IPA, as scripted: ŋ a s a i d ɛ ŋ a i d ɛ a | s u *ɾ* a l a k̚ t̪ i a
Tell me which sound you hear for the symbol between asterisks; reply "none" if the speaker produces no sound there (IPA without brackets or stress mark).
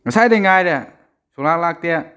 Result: l